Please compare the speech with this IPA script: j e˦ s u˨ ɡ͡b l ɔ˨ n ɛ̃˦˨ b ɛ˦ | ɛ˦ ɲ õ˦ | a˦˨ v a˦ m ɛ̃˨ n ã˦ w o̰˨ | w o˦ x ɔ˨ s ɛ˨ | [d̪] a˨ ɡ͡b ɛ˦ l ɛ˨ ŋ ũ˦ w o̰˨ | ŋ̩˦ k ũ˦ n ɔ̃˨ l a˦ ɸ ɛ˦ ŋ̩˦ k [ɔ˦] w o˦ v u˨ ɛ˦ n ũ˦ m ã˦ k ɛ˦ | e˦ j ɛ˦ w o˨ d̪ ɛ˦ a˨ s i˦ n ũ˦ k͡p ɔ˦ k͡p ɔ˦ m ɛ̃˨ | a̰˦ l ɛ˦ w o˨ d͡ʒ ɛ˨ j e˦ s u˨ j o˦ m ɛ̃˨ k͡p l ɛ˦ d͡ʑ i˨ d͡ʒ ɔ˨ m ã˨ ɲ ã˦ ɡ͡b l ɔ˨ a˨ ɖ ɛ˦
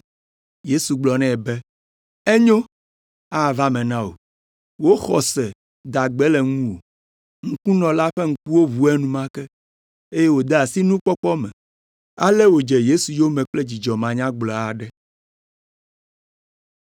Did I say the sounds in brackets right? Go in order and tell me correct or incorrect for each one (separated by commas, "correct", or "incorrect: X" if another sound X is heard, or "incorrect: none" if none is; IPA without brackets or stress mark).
correct, incorrect: u˦